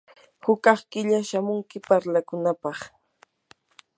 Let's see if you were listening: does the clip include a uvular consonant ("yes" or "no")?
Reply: yes